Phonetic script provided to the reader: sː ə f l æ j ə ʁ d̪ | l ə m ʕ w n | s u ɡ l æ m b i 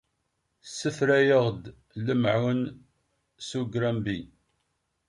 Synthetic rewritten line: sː ə f ɾ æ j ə ʁ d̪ | l ə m ʕ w n | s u ɡ ɾ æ m b i